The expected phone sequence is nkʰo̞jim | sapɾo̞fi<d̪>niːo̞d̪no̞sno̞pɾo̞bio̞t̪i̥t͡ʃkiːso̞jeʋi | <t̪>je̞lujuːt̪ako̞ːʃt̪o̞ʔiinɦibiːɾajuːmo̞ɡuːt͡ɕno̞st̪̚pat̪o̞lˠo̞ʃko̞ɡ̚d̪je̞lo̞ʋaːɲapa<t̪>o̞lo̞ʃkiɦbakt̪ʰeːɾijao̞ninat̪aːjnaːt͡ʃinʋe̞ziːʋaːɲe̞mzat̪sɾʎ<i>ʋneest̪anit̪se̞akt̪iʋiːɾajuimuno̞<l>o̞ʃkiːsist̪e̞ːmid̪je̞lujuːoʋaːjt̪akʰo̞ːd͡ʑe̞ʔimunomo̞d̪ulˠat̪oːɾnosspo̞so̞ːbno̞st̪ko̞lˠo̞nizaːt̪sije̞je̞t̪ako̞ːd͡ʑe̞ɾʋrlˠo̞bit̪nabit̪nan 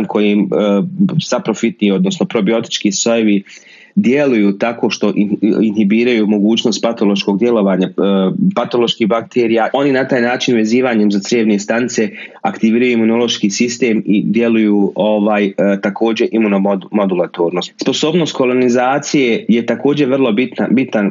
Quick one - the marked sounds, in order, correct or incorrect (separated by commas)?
incorrect, incorrect, correct, incorrect, correct